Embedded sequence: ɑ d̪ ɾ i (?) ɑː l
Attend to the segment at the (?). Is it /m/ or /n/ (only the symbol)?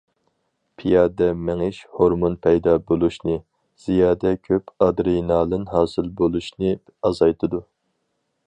n